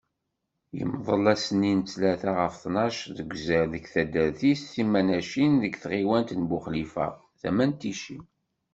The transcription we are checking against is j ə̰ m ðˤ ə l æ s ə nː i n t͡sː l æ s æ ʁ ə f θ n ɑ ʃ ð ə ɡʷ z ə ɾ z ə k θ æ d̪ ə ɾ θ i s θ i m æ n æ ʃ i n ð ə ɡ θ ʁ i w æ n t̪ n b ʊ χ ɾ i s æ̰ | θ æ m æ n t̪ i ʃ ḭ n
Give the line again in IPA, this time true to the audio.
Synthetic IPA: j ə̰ m ðˤ ə l æ s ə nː i n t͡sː l æ θ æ ʁ ə f θ n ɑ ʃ ð ə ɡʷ z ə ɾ ð ə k θ æ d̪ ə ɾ θ i s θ i m æ n æ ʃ i n ð ə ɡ θ ʁ i w æ n t̪ n b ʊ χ l i f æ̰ | θ æ m æ n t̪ i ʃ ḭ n